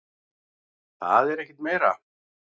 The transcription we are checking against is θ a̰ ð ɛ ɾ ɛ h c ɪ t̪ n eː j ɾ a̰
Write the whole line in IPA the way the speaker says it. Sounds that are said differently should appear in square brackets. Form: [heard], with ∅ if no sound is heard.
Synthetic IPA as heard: θ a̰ ð ɛ ɾ ɛ h c ɪ t̪ [m] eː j ɾ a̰